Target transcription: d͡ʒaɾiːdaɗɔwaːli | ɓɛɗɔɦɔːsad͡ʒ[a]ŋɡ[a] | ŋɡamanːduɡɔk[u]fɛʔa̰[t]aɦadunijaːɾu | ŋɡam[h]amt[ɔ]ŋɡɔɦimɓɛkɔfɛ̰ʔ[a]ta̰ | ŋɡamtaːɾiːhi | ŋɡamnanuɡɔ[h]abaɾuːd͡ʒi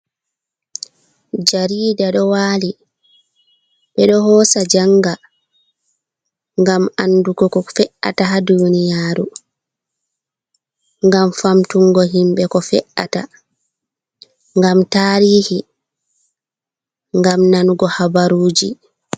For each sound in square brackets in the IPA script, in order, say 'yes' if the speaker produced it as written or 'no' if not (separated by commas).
yes, yes, no, yes, no, no, yes, yes